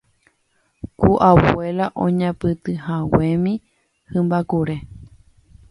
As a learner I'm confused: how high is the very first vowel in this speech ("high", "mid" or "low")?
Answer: high